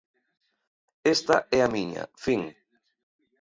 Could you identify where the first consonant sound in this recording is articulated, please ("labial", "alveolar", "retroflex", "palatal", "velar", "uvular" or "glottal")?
alveolar